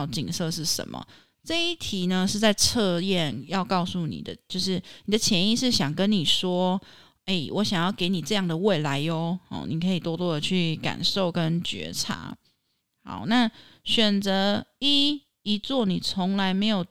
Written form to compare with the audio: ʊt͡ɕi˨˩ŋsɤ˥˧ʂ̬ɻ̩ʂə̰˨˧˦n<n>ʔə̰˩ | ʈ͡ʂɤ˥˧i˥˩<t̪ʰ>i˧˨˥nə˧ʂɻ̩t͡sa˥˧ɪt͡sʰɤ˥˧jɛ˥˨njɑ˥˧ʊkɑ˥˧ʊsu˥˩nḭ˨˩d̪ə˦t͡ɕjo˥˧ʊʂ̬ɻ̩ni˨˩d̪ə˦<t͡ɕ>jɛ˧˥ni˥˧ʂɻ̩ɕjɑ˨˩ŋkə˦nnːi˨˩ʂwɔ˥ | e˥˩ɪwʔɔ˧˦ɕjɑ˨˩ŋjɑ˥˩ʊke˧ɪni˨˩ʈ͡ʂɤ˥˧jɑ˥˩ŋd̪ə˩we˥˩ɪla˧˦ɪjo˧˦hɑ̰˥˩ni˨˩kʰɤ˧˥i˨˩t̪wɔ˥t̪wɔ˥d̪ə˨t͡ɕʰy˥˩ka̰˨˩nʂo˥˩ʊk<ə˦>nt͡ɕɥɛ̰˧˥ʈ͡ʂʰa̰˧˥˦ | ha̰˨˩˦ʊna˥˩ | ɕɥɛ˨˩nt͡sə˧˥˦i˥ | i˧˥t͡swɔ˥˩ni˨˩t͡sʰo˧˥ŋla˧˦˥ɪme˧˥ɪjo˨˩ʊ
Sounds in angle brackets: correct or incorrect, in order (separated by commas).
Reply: incorrect, correct, incorrect, correct